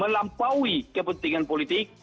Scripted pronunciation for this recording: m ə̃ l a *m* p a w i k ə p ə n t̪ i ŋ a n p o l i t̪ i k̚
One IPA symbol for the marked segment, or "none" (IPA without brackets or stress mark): m